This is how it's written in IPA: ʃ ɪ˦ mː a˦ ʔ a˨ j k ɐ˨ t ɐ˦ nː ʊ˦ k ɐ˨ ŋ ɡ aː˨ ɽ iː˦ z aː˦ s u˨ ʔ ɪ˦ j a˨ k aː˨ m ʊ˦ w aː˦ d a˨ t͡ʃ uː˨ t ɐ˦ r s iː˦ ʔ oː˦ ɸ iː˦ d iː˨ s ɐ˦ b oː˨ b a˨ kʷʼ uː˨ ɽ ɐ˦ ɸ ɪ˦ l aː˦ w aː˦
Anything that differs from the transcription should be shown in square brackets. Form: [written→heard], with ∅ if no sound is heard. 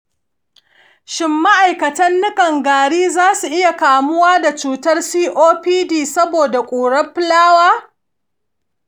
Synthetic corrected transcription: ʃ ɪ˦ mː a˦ ʔ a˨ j k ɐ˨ t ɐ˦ nː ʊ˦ k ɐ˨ ŋ ɡ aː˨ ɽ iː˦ z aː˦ s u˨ ʔ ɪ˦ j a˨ k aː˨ m ʊ˦ w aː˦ d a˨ t͡ʃ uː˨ t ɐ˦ r s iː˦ ʔ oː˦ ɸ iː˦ d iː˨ s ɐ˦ b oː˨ [b→d] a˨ kʷʼ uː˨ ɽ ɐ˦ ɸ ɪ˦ l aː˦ w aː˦